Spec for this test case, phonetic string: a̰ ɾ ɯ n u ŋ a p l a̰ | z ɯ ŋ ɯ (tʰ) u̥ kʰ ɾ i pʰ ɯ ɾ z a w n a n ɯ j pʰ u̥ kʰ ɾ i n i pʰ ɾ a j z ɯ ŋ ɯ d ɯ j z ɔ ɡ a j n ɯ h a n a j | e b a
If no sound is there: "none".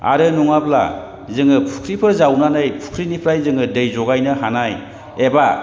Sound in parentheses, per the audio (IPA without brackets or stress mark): pʰ